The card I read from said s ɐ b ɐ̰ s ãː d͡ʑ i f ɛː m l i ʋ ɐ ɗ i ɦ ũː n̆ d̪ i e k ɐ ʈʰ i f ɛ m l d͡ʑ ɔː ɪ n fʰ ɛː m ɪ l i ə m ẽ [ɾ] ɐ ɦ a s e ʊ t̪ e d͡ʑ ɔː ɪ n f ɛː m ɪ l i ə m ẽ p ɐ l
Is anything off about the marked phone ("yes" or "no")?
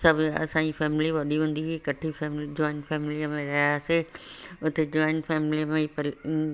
no